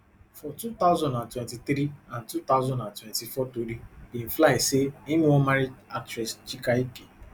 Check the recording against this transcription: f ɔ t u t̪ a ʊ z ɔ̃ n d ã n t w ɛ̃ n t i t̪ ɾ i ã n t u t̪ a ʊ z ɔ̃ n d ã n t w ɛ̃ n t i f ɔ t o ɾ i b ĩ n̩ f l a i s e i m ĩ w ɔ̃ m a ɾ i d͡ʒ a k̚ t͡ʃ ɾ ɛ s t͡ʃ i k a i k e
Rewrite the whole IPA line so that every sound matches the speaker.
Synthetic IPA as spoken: f ɔ t u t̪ a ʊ z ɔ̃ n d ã n t w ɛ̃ n t i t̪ ɾ i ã n t u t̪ a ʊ z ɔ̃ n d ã n t w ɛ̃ n t i f ɔ t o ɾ i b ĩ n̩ f l a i s e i m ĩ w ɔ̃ m a ɾ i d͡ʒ a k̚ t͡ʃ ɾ ɛ s t͡ʃ i k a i k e